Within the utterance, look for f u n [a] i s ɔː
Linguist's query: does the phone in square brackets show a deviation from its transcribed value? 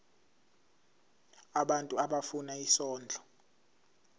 no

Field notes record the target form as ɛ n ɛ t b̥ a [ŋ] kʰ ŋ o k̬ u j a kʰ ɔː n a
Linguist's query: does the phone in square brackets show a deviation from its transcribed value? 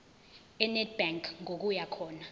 no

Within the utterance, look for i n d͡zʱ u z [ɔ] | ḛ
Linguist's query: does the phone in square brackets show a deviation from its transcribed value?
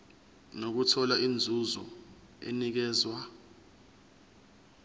no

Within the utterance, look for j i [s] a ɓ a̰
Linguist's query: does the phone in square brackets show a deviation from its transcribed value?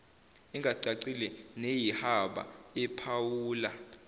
yes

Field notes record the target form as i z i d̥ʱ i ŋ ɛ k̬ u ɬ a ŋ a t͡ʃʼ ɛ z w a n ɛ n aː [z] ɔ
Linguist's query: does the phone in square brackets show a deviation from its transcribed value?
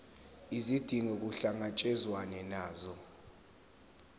no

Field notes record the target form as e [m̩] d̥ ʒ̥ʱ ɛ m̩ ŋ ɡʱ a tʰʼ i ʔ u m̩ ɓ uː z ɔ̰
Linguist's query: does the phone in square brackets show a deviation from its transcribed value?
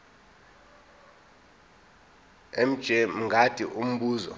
no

